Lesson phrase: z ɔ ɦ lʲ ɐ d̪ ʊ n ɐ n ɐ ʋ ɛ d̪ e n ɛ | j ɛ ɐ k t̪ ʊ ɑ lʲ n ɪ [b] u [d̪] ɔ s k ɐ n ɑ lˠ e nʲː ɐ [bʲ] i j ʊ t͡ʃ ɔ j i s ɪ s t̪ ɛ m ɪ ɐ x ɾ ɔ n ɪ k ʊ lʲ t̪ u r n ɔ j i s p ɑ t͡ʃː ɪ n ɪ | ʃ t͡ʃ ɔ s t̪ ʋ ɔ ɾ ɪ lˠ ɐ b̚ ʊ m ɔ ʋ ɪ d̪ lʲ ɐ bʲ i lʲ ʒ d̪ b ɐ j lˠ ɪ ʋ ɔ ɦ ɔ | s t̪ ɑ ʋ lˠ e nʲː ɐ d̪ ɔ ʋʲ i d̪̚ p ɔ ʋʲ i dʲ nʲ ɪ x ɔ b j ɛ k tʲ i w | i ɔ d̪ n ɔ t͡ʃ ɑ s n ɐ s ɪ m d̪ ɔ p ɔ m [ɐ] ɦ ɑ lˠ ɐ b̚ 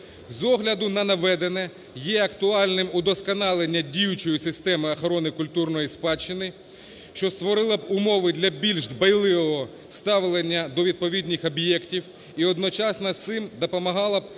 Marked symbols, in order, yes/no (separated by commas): no, yes, no, yes